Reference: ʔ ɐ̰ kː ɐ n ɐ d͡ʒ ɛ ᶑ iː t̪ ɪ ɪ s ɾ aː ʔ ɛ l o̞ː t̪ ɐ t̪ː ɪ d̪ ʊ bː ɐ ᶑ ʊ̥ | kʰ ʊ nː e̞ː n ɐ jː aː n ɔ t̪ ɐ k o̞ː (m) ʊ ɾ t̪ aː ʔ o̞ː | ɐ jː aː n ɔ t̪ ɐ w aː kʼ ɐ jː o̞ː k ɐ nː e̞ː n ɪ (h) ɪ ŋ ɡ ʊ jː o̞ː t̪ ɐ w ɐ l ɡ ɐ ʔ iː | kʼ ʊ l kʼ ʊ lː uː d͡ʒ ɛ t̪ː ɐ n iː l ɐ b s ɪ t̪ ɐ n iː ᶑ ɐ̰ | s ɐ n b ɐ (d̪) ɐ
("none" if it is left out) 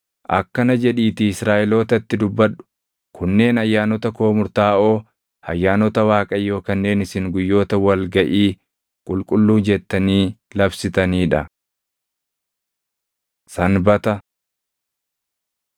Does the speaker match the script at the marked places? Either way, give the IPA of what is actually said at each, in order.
m, s, t̪

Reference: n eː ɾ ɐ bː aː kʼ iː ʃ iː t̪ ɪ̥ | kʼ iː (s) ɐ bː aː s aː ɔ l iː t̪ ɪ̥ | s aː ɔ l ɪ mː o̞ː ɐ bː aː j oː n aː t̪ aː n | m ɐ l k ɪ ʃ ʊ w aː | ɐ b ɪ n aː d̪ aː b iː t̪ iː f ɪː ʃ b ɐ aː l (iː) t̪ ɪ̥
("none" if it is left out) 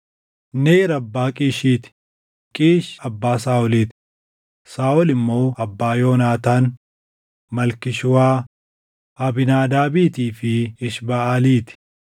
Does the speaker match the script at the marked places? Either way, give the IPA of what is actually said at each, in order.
ʃ, iː

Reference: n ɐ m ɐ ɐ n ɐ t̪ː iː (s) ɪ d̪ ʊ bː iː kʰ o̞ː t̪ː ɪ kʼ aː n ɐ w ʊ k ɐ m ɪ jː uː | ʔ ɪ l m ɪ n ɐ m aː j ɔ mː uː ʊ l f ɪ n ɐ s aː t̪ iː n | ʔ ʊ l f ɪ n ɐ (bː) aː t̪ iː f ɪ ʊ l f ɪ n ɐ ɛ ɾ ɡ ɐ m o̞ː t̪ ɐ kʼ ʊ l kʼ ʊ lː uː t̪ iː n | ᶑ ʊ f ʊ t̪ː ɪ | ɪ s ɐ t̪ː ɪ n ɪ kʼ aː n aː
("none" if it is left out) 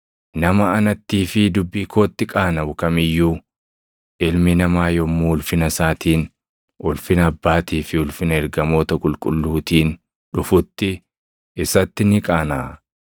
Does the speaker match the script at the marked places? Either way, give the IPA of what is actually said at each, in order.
f, bː

